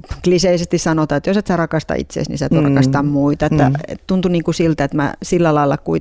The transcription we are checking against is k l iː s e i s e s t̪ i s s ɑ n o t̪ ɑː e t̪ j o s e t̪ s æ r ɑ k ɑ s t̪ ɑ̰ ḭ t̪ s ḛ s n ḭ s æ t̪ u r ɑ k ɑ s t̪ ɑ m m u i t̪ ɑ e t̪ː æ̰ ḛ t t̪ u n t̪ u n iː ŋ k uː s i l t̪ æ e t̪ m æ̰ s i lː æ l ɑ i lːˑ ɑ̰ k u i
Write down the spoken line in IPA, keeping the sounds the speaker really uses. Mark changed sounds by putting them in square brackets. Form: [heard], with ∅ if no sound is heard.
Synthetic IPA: k l [i] s e i s e s t̪ i s s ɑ n o t̪ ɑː e t̪ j o s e t̪ s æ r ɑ k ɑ s t̪ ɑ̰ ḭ t̪ s ḛ s n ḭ s æ t̪ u r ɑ k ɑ s t̪ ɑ m m u i t̪ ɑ e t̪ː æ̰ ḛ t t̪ u n t̪ u n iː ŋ k [u] s i l t̪ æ e t̪ m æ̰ s i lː æ l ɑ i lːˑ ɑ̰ k u i